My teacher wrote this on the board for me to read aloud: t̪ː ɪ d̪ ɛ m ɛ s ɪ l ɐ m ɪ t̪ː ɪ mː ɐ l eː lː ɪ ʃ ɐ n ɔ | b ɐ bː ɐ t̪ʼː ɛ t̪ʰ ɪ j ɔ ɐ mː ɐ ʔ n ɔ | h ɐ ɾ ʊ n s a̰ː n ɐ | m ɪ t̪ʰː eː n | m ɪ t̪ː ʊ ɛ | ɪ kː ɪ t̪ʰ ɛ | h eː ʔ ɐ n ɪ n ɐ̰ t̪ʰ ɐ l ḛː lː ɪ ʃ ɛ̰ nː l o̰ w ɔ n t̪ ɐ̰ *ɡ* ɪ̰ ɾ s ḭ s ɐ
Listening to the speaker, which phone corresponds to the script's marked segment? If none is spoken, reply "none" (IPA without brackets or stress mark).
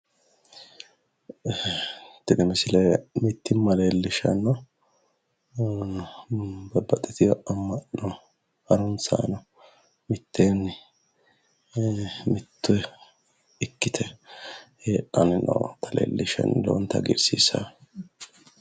ɡ